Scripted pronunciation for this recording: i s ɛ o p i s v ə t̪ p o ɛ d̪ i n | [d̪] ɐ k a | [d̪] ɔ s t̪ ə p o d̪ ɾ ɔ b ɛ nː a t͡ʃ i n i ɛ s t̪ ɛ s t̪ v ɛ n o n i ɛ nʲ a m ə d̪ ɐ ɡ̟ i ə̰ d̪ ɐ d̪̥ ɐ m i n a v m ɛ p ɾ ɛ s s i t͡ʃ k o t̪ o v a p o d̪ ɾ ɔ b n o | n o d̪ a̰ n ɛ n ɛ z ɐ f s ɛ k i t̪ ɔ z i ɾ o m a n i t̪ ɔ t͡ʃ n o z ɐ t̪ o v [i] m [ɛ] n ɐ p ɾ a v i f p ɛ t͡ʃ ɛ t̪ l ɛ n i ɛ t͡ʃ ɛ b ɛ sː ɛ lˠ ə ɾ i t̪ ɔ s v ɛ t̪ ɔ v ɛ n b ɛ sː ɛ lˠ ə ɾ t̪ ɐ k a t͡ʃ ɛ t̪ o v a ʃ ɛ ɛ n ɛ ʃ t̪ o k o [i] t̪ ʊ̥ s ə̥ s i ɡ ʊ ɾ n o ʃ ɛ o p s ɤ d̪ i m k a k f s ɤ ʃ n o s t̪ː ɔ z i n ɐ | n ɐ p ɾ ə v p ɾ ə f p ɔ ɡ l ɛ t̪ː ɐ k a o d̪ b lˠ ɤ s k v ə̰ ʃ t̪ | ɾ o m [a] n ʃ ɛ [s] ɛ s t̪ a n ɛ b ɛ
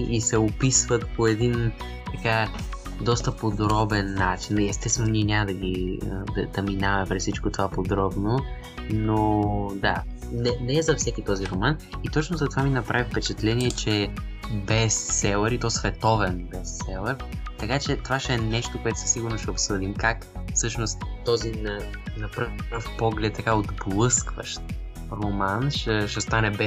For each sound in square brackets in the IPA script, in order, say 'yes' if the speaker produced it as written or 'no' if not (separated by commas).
no, yes, no, no, no, yes, no